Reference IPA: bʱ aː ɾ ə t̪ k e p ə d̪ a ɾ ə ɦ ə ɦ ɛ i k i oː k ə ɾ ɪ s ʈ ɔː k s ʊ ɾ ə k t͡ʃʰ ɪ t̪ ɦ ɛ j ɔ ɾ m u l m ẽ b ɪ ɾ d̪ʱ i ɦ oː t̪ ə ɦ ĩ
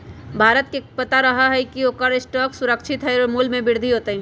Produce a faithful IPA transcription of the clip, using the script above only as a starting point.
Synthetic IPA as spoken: bʱ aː ɾ ə t̪ k e p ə t̪ a ɾ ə ɦ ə ɦ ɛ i k i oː k ə ɾ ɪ s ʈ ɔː k s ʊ ɾ ə k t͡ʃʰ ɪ t̪ ɦ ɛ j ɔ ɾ m u l m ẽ b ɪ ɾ d̪ʱ i ɦ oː t̪ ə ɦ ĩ